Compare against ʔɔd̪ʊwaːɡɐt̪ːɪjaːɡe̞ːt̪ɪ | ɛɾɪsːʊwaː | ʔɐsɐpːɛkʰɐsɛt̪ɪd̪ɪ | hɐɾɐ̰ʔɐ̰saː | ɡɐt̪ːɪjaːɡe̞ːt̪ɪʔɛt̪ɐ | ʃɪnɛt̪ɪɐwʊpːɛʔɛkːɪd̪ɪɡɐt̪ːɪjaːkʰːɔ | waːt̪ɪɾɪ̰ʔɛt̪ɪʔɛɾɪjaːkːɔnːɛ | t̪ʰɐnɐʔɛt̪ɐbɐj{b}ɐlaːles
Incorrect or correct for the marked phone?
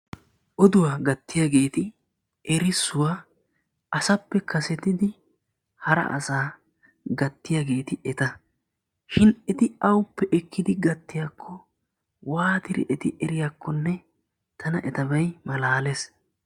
incorrect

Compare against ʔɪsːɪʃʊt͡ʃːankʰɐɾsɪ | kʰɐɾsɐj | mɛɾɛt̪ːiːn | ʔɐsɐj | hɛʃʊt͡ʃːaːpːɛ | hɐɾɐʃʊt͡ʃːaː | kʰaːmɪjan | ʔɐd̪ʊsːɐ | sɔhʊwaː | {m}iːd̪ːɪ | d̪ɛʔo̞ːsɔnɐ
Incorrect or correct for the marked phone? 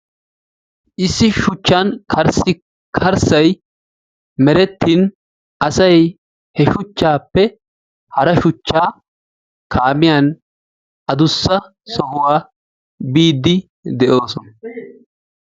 incorrect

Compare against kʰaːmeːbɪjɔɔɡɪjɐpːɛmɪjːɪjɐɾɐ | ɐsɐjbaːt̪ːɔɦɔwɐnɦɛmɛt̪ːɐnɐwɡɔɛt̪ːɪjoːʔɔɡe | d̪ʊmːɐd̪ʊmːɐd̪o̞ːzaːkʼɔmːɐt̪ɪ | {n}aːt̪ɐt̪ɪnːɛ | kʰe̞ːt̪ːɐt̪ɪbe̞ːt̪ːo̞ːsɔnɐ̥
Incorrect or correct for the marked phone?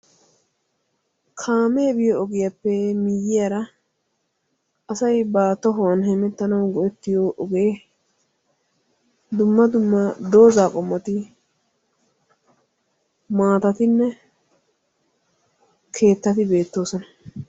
incorrect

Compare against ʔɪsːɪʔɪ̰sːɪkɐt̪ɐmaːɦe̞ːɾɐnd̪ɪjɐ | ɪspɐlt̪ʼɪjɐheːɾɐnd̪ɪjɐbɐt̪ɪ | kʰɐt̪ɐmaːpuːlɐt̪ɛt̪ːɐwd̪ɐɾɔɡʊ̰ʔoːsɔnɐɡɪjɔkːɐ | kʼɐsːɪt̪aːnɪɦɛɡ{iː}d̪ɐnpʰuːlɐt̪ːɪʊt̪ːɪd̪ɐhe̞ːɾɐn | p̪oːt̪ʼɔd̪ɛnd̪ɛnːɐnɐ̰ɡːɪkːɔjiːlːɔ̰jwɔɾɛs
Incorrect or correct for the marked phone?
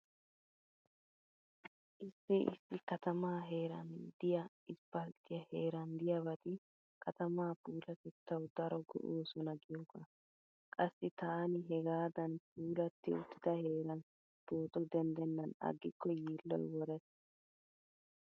incorrect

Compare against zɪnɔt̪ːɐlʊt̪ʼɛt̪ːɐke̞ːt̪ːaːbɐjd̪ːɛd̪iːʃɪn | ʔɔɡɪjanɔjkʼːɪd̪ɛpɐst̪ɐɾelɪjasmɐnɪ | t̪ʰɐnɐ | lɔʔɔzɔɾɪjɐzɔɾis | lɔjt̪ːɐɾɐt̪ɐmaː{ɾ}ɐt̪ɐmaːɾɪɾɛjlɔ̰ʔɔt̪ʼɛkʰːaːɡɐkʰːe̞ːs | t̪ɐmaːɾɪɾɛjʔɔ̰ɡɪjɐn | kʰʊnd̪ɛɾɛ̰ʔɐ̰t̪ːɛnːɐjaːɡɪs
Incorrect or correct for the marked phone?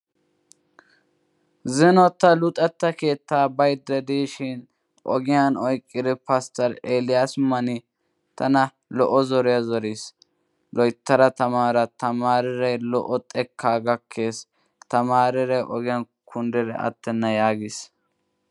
correct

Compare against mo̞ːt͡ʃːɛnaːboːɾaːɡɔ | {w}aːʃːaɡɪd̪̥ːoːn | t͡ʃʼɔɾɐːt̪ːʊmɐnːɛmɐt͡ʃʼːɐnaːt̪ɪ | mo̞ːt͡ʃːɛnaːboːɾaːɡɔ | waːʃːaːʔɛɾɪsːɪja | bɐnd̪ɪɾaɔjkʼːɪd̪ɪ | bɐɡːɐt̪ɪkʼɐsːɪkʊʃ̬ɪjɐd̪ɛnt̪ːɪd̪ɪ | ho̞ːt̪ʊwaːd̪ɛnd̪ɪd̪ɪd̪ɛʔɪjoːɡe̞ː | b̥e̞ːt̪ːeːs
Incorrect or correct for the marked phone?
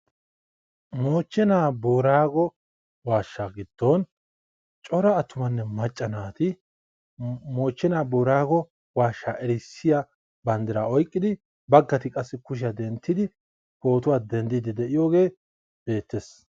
correct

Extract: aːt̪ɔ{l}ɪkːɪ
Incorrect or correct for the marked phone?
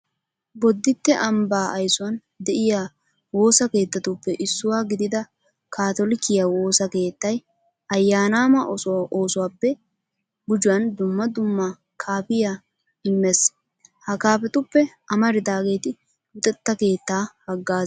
correct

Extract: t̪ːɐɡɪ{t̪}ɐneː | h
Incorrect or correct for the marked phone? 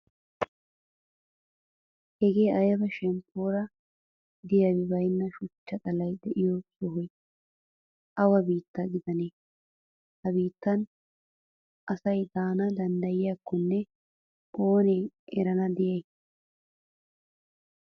incorrect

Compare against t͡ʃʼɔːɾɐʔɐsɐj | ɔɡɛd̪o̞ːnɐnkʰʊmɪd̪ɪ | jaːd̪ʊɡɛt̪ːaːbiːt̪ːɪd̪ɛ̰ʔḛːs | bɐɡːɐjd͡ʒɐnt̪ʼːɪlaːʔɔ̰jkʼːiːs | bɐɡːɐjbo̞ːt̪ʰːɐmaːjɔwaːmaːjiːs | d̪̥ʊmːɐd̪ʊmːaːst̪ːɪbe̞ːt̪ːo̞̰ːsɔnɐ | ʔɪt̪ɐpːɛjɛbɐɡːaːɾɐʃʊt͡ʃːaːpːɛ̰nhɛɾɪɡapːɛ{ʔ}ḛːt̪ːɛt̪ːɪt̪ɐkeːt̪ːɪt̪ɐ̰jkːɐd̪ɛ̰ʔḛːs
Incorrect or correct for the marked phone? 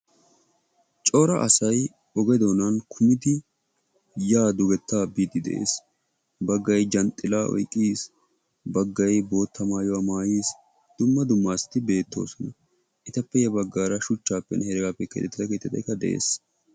incorrect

